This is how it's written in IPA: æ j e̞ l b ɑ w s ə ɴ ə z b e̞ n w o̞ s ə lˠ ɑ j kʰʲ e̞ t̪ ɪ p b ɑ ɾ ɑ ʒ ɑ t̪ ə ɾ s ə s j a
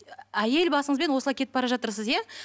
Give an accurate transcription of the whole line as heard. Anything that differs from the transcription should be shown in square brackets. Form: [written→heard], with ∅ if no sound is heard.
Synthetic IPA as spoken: æ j e̞ l b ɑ [w→∅] s ə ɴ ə z b e̞ n w o̞ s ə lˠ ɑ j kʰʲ e̞ t̪ ɪ p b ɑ ɾ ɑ ʒ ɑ t̪ ə ɾ s ə [s→z] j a